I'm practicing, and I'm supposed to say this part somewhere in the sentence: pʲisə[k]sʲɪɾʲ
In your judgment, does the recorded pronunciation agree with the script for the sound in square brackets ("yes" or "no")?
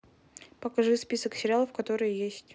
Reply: yes